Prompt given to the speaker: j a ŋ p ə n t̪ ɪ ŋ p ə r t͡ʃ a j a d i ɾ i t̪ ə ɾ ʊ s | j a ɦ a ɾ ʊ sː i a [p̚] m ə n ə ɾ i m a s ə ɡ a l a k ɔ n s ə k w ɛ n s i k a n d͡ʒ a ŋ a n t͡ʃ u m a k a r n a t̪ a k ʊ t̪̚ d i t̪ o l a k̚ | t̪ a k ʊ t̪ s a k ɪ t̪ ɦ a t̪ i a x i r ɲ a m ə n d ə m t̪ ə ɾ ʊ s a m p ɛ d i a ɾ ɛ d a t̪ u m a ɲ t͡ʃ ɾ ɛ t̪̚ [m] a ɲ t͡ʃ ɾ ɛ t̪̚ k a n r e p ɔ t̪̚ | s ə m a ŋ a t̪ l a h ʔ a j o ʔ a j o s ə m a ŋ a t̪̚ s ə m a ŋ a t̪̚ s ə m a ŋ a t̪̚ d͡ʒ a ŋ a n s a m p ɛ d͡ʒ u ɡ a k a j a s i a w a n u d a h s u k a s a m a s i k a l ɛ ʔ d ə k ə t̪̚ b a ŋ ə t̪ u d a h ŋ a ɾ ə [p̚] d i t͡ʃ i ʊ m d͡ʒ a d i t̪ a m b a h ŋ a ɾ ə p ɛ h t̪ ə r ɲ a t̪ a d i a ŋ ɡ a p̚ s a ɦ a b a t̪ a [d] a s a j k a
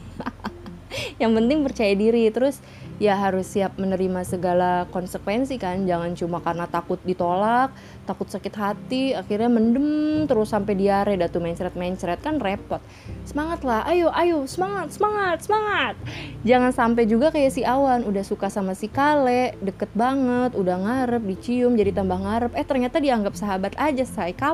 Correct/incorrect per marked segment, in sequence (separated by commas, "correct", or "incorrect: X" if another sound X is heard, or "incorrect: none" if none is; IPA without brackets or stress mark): correct, correct, correct, incorrect: d͡ʒ